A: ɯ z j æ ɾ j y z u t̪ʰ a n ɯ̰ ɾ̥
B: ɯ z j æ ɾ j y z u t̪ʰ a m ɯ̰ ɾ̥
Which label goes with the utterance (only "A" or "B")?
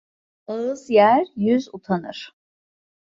A